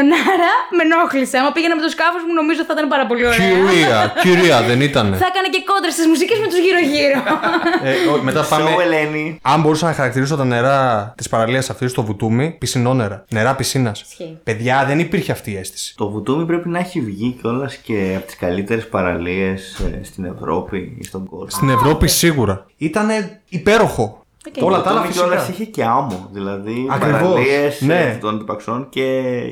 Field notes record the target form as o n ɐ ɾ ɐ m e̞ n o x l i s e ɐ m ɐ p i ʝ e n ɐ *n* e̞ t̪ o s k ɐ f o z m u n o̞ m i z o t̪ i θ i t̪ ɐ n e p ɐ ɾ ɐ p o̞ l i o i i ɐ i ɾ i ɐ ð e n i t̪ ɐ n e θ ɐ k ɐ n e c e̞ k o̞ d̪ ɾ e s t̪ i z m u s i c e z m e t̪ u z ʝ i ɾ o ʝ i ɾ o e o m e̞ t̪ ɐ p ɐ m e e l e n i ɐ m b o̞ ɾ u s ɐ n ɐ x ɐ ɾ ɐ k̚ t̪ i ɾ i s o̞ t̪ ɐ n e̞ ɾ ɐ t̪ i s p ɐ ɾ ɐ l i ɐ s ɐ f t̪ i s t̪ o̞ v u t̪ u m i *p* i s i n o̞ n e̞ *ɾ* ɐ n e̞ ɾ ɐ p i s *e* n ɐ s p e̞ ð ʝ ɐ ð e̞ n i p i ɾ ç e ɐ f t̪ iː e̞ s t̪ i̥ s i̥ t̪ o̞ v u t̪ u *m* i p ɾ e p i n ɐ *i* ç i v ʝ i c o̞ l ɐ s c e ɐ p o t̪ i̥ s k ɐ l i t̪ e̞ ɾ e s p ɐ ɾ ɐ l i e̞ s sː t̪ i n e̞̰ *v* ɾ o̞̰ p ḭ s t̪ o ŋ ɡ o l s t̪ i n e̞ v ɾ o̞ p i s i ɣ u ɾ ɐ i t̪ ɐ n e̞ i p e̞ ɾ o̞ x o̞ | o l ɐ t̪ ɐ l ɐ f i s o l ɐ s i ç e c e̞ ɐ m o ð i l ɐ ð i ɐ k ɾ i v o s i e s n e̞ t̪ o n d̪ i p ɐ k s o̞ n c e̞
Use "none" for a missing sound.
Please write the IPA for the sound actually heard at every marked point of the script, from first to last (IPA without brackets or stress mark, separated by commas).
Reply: m, p, ɾ, i, m, e, v